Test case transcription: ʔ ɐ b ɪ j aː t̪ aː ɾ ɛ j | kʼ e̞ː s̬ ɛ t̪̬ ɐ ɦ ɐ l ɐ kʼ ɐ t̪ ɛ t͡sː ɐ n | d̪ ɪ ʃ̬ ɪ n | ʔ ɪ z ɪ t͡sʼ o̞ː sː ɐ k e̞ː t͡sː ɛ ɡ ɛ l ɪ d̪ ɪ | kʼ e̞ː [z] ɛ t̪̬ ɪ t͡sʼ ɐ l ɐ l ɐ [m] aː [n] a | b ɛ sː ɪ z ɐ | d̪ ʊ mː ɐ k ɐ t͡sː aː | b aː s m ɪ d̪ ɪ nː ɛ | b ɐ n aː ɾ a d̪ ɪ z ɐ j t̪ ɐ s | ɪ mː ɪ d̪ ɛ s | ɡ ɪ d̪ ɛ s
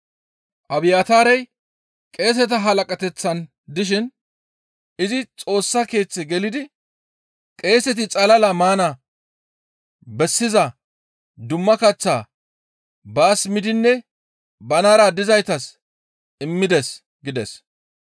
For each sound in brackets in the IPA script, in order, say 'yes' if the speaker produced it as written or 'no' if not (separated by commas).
no, yes, yes